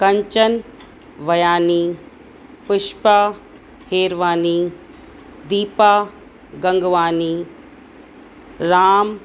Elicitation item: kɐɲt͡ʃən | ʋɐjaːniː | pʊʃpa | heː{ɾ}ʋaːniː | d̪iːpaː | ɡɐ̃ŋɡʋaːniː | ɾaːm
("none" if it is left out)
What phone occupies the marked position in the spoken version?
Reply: ɾ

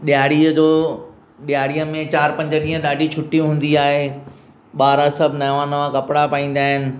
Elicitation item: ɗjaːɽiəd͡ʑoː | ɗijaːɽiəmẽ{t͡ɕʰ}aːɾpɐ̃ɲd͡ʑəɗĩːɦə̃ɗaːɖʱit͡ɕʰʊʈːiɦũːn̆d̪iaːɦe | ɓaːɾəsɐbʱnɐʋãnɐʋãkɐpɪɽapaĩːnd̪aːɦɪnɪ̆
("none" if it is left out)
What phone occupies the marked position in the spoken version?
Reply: t͡ɕ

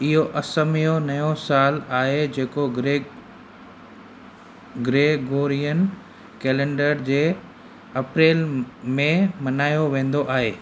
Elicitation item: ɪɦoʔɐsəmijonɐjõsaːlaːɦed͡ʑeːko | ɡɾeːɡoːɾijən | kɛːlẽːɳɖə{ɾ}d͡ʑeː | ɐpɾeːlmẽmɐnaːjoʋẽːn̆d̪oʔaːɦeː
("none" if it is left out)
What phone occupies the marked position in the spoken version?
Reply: ɾ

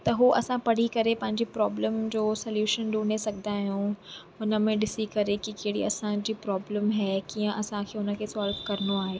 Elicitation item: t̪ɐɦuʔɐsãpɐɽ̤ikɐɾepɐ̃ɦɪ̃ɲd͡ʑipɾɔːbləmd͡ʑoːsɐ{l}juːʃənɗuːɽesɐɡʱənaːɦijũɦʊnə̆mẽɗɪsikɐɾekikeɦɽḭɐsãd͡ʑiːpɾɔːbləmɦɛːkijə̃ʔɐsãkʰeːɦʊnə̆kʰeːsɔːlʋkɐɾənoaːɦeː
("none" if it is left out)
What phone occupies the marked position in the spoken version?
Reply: l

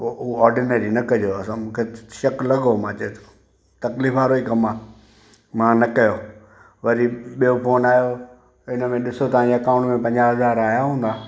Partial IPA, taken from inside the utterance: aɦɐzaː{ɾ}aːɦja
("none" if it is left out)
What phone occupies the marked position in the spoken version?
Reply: ɾ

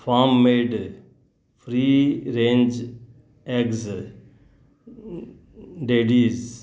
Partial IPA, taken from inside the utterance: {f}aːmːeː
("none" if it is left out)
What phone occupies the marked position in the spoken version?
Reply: f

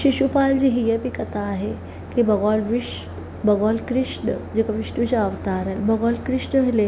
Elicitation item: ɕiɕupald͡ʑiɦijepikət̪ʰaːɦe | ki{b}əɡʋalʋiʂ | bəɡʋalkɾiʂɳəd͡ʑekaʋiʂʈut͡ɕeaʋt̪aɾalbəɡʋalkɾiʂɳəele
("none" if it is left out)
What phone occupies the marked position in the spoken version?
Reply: b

